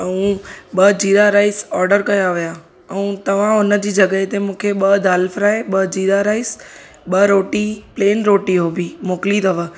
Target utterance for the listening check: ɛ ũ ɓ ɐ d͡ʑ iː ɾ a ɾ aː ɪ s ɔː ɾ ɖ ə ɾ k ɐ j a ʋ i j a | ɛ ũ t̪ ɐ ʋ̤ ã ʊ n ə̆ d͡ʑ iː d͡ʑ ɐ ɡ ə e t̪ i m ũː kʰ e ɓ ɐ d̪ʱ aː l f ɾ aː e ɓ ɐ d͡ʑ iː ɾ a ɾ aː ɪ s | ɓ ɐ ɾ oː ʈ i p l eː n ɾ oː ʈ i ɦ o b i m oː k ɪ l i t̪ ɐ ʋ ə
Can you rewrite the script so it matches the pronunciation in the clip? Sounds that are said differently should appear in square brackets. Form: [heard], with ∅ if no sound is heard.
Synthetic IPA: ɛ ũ ɓ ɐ d͡ʑ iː ɾ a ɾ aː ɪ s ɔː ɾ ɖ ə ɾ k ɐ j a ʋ i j a | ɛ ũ t̪ ɐ ʋ̤ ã ʊ n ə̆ d͡ʑ iː d͡ʑ ɐ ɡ ə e t̪ [e] m ũː kʰ e ɓ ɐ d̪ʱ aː l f ɾ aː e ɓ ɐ d͡ʑ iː ɾ a ɾ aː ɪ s | ɓ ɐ ɾ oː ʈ i p l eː n ɾ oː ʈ i ɦ o b i m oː k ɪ l i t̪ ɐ ʋ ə